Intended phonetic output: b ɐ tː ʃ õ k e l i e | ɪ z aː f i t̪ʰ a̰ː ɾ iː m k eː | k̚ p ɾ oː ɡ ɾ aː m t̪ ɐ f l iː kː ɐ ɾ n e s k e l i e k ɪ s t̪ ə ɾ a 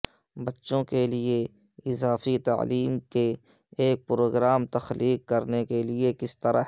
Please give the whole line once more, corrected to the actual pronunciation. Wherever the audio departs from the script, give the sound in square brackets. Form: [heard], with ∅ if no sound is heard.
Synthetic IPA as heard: b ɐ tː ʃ õ k e l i e | ɪ z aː f i [t̪] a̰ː [l] iː m k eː | k̚ p ɾ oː ɡ ɾ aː m t̪ ɐ [x] l iː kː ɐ ɾ n e [∅] k e l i e k ɪ s t̪ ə ɾ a